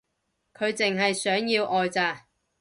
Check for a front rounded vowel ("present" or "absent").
present